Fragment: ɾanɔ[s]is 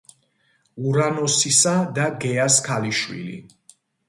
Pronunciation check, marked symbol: correct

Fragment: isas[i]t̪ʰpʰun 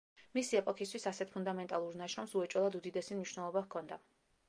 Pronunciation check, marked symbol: incorrect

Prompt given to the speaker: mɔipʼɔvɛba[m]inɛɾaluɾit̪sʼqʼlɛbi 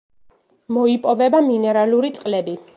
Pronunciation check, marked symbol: correct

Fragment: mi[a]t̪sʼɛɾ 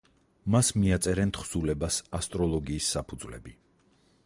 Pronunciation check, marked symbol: correct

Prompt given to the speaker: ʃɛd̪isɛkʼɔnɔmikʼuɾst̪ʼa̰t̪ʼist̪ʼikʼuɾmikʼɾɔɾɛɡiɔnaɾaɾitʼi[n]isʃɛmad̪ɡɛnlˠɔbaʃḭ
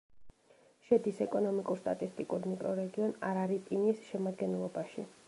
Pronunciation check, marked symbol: correct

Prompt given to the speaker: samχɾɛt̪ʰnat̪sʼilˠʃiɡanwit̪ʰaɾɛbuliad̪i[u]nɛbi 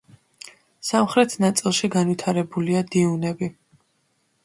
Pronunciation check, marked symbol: correct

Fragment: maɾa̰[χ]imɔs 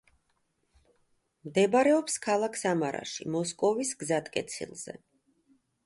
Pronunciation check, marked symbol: incorrect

